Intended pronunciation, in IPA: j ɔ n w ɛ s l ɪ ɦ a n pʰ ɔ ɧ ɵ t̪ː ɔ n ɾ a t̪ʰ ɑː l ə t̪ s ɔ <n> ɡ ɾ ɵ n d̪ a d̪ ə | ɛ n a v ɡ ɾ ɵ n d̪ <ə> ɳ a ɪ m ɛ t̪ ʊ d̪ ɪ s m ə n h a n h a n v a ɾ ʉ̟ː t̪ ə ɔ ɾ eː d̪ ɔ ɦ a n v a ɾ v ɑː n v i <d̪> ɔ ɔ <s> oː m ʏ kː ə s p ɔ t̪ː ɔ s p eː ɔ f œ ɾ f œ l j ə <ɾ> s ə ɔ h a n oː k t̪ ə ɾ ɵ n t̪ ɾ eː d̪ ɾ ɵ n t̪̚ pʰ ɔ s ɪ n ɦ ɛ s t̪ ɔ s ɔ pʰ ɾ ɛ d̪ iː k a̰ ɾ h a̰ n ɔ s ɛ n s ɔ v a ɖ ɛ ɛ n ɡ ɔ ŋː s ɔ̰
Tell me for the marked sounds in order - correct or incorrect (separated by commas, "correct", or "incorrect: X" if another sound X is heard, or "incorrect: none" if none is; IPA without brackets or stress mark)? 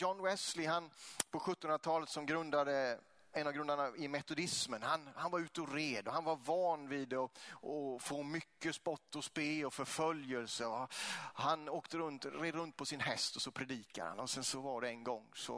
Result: incorrect: m, incorrect: a, correct, incorrect: f, incorrect: l